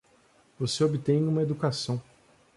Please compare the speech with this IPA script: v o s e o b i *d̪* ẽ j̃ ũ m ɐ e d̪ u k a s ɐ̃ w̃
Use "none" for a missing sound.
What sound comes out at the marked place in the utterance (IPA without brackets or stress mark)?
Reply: t̪